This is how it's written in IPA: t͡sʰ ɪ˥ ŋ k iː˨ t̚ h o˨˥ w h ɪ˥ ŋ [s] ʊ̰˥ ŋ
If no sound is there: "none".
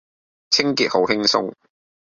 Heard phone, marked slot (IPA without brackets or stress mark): s